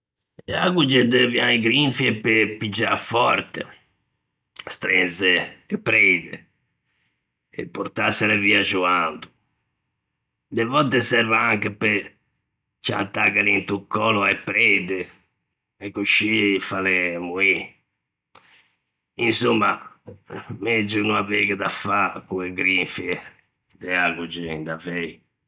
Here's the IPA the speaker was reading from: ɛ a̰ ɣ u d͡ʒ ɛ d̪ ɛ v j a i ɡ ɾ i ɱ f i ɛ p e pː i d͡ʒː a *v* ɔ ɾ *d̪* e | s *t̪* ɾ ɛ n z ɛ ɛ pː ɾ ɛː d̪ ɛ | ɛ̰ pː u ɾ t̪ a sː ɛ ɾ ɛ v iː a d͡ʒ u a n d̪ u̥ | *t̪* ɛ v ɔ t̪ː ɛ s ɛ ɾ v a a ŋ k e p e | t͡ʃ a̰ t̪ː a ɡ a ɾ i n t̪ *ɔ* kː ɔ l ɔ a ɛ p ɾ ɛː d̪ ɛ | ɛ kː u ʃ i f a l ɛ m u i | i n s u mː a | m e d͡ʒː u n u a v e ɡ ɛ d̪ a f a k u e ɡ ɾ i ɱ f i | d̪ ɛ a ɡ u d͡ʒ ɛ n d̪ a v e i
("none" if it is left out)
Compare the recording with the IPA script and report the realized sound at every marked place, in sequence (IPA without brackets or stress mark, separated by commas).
f, t̪, t̪, d̪, u